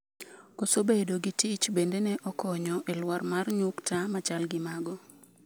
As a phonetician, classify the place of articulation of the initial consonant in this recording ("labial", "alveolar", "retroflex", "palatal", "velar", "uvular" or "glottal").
velar